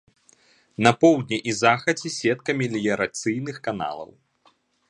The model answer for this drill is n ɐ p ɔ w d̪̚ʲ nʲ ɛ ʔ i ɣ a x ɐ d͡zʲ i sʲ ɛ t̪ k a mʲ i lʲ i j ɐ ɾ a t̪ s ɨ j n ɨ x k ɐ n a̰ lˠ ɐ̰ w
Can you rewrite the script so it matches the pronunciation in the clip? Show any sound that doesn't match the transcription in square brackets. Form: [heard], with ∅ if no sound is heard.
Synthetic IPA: n ɐ p ɔ w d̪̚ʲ nʲ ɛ ʔ i [z] a x ɐ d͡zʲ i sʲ ɛ t̪ k [ɐ] mʲ i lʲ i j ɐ ɾ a t̪ s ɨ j n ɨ x k [a] n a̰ lˠ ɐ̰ w